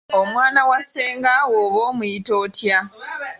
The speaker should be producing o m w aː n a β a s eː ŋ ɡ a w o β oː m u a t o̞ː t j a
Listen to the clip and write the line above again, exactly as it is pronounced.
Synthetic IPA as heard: o m w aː n a w a s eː ŋ ɡ a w o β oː m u i t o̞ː t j a